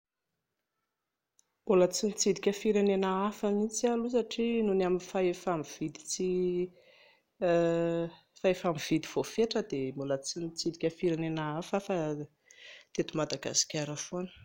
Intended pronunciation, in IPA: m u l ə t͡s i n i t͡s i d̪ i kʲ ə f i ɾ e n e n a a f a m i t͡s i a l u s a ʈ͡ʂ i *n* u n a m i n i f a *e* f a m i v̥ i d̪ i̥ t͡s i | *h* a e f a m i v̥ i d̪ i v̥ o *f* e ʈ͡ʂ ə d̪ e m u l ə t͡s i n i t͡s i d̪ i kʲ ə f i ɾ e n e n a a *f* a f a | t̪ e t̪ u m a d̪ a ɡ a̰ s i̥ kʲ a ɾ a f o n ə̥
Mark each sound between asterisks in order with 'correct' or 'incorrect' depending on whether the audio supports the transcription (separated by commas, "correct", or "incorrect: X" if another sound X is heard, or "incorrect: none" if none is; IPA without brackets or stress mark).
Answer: correct, correct, incorrect: f, correct, correct